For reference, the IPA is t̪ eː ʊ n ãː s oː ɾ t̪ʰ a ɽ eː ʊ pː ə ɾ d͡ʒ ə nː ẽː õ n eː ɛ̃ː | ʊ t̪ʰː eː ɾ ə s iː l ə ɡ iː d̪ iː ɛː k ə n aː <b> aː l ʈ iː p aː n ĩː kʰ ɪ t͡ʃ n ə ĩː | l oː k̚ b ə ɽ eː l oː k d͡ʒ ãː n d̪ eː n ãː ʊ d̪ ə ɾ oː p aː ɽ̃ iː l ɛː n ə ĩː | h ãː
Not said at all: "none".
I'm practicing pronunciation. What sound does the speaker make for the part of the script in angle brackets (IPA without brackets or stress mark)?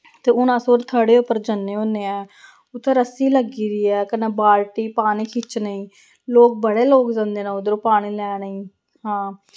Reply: b